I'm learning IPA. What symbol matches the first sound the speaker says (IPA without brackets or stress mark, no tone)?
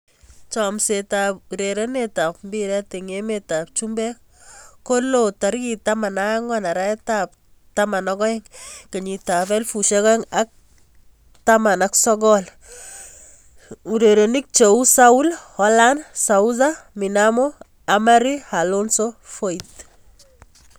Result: t͡ʃ